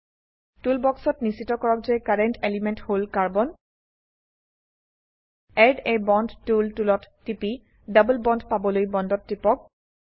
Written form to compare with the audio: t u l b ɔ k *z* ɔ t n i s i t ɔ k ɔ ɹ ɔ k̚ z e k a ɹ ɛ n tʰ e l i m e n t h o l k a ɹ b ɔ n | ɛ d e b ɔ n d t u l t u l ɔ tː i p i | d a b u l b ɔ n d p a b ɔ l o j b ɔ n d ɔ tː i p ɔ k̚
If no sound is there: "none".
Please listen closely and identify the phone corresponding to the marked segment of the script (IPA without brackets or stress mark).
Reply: s